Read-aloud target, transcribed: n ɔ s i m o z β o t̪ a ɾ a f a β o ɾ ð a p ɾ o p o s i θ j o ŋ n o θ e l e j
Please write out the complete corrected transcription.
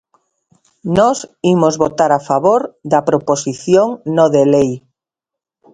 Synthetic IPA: n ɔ s i m o z β o t̪ a ɾ a f a β o ɾ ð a p ɾ o p o s i θ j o ŋ n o ð e l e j